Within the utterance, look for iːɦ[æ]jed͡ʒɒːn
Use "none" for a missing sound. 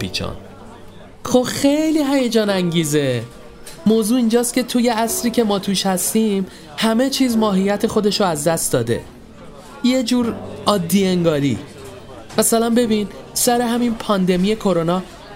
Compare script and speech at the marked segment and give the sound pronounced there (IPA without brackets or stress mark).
æ